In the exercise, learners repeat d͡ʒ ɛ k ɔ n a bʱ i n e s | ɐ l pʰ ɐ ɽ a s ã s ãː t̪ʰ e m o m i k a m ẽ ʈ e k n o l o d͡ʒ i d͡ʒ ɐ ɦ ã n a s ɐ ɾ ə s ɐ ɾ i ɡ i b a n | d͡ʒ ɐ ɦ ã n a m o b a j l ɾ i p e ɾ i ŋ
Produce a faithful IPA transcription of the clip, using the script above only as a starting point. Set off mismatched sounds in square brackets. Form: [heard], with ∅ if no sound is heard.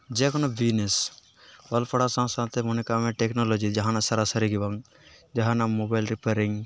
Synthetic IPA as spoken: d͡ʒ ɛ k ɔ n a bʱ i n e s | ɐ l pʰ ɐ ɽ a s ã s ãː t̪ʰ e m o [n] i k a m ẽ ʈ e k n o l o d͡ʒ i d͡ʒ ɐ ɦ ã n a s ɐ ɾ [a] s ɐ ɾ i ɡ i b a [ŋ] | d͡ʒ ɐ ɦ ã n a m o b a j l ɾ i p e ɾ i ŋ